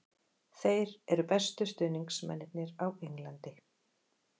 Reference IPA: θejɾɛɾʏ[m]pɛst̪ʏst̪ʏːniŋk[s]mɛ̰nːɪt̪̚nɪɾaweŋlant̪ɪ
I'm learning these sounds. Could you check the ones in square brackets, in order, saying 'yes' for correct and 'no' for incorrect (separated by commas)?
no, yes